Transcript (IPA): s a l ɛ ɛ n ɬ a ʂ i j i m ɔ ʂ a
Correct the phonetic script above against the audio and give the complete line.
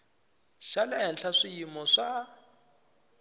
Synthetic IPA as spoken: ʃ a l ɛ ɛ n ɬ a ʂ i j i m ɔ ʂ a